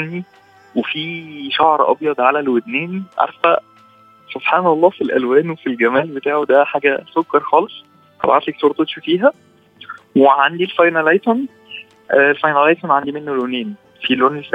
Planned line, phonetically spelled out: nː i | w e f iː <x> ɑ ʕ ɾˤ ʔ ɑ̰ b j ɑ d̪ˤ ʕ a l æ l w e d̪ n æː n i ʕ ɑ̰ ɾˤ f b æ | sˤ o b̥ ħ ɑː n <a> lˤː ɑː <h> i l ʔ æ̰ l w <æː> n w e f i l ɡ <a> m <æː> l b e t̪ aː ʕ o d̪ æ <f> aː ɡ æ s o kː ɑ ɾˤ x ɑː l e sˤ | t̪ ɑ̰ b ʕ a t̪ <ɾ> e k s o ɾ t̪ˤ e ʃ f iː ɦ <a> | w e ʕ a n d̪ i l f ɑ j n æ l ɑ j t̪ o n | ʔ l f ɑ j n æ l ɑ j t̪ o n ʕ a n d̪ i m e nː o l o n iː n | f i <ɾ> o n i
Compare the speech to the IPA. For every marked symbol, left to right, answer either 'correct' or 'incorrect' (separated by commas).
incorrect, incorrect, incorrect, correct, incorrect, correct, incorrect, incorrect, incorrect, incorrect